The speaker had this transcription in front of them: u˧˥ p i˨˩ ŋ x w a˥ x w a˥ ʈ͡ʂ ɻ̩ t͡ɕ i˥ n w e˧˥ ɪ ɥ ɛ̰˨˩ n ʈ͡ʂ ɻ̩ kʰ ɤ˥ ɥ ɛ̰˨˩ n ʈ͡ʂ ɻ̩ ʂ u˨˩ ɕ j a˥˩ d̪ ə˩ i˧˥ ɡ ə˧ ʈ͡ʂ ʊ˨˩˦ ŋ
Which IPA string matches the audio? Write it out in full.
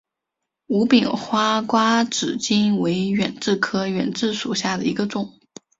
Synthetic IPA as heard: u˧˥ p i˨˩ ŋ x w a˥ k w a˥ ʈ͡ʂ ɻ̩ t͡ɕ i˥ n w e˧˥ ɪ ɥ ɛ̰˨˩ n ʈ͡ʂ ɻ̩ kʰ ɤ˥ ɥ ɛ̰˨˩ n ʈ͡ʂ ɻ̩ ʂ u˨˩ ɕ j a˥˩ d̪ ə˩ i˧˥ ɡ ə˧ ʈ͡ʂ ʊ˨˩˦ ŋ